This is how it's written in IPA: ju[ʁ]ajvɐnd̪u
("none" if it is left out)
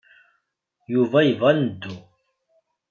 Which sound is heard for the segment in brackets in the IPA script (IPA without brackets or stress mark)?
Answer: v